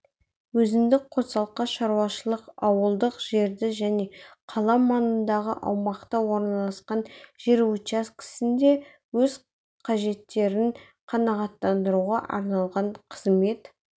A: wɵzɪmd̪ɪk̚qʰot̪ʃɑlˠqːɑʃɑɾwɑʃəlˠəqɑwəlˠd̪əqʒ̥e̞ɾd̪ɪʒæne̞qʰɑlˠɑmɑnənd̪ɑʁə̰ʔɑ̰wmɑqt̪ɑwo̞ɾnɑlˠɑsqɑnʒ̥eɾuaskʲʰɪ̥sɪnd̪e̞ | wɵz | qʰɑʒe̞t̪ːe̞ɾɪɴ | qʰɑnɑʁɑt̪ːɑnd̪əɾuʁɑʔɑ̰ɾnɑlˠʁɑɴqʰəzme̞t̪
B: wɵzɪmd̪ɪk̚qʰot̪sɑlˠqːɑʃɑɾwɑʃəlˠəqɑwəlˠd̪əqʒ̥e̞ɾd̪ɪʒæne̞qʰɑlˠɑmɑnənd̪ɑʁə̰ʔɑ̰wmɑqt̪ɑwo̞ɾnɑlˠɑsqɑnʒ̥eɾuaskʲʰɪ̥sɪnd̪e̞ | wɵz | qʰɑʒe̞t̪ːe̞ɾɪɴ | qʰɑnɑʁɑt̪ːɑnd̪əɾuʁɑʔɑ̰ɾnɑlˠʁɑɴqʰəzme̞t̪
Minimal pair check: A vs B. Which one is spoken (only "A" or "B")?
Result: B